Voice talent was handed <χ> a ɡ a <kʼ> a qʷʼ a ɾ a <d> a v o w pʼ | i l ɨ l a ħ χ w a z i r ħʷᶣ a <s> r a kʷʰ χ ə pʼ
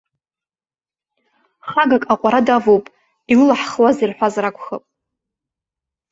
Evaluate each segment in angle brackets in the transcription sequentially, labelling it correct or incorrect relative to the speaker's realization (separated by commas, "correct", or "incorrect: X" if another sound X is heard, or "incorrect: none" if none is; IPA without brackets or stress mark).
correct, correct, correct, incorrect: z